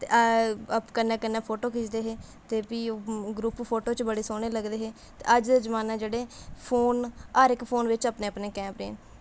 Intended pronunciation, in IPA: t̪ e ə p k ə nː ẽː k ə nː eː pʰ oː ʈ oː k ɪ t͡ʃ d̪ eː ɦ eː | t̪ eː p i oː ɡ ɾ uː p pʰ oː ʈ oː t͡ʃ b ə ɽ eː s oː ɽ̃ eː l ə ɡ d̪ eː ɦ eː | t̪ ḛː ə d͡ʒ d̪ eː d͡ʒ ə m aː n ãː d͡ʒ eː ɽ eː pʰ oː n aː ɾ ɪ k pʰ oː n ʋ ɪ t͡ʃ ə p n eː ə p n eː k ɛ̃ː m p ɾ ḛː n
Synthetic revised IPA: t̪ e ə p k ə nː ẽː k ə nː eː pʰ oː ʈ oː k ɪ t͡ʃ d̪ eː ɦ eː | t̪ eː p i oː ɡ ɾ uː p pʰ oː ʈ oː t͡ʃ b ə ɽ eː s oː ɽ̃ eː l ə ɡ d̪ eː ɦ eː | t̪ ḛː ə d͡ʒ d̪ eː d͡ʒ ə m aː n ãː d͡ʒ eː ɽ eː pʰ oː n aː ɾ ɪ k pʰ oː n ʋ ɪ t͡ʃ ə p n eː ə p n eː k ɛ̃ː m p ɾ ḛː n

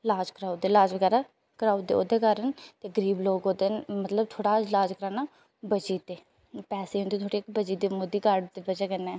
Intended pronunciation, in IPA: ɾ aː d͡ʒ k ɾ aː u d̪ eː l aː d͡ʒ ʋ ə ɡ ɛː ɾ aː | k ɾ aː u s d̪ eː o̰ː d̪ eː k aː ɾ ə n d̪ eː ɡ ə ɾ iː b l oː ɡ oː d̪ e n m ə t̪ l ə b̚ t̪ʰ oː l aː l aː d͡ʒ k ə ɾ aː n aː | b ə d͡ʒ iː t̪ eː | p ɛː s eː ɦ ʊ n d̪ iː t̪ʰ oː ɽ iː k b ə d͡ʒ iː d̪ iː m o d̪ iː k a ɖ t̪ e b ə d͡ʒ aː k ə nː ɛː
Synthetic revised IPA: l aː d͡ʒ k ɾ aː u d̪ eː l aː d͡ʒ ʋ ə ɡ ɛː ɾ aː | k ɾ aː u d̪ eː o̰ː d̪ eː k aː ɾ ə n t̪ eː ɡ ə ɾ iː b l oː ɡ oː d̪ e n m ə t̪ l ə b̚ t̪ʰ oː ɽ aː l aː d͡ʒ k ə ɾ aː n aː | b ə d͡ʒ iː t̪ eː | p ɛː s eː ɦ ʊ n d̪ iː t̪ʰ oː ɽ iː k b ə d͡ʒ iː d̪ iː m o d̪ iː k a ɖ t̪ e b ə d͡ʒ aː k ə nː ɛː

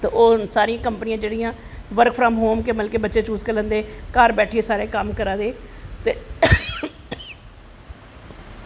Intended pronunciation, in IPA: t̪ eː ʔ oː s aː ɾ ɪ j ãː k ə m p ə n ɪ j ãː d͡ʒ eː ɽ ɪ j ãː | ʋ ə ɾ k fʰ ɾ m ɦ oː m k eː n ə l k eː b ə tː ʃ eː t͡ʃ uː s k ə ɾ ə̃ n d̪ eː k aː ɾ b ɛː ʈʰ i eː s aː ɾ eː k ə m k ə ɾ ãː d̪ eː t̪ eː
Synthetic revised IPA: t̪ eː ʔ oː s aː ɾ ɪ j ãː k ə m p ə n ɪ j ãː d͡ʒ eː ɽ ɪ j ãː | ʋ ə ɾ k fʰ ɾ m ɦ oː m k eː m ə l k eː b ə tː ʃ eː t͡ʃ uː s k ə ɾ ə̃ n d̪ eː k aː ɾ b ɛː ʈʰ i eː s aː ɾ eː k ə m k ə ɾ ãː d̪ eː t̪ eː

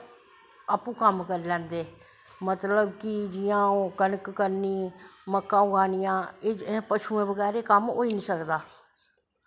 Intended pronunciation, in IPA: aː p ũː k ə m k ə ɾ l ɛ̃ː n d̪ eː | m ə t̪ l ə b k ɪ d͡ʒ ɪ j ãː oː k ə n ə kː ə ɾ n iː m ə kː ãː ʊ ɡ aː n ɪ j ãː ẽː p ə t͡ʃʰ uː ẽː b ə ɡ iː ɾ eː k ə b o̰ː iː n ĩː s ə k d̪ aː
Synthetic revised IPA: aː p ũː k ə m k ə ɾ l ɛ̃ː n d̪ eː | m ə t̪ l ə b k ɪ d͡ʒ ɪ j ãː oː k ə n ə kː ə ɾ n iː m ə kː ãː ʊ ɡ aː n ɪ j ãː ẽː p ə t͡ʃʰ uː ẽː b ə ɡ ɛː ɾ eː k ə m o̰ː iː n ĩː s ə k d̪ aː

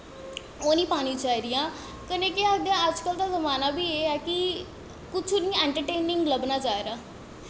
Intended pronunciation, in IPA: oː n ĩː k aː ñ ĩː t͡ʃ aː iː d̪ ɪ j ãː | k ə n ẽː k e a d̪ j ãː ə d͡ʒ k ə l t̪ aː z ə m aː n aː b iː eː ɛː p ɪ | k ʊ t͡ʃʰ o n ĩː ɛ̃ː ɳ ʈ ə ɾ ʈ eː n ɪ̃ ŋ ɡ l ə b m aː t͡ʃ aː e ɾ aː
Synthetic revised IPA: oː n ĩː p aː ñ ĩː t͡ʃ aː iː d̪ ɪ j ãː | k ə n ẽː k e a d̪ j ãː ə d͡ʒ k ə l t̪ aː z ə m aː n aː b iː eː ɛː k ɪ | k ʊ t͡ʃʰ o n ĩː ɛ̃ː ɳ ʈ ə ɾ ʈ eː n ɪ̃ ŋ ɡ l ə b n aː t͡ʃ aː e ɾ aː

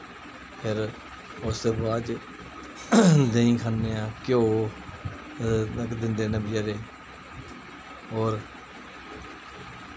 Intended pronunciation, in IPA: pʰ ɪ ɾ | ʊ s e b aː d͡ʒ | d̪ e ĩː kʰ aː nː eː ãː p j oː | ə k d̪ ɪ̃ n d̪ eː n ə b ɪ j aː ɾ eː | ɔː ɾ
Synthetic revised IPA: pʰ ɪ ɾ | ʊ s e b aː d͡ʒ | d̪ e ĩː kʰ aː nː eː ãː k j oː | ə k d̪ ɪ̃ n d̪ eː n ə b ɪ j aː ɾ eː | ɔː ɾ

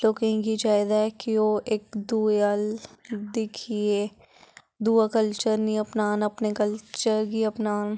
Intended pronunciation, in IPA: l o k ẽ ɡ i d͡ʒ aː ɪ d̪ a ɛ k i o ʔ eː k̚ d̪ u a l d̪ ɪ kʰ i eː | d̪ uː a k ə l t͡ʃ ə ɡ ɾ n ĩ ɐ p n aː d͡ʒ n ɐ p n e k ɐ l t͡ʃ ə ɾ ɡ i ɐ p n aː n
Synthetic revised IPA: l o k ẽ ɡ i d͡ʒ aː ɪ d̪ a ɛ k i o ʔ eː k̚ d̪ u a l d̪ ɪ kʰ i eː | d̪ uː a k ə l t͡ʃ ə ɾ n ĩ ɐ p n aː n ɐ p n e k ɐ l t͡ʃ ə ɾ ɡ i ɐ p n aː n

